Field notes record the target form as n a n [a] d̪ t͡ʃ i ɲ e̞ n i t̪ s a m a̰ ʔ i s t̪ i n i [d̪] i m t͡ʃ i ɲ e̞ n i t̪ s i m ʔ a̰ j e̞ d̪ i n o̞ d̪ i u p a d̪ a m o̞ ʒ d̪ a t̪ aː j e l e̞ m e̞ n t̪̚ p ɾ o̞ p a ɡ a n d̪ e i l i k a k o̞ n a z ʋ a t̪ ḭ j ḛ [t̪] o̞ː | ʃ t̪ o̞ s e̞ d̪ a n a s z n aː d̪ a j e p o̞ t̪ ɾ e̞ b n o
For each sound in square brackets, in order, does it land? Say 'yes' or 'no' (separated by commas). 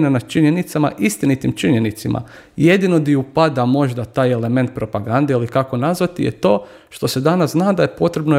yes, no, yes